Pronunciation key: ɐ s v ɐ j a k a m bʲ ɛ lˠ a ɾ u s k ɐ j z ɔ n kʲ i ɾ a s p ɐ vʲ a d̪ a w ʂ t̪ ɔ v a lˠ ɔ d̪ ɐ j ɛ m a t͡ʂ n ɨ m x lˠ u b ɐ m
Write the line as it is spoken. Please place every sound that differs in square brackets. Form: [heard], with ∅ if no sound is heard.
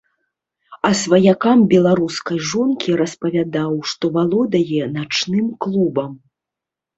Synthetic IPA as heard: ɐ s v ɐ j a k a m bʲ ɛ lˠ a ɾ u s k ɐ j [ʐ] ɔ n kʲ i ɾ [ɐ] s p ɐ vʲ a d̪ a w ʂ t̪ ɔ v a lˠ ɔ d̪ ɐ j ɛ [n] a t͡ʂ n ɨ m [k] lˠ u b ɐ m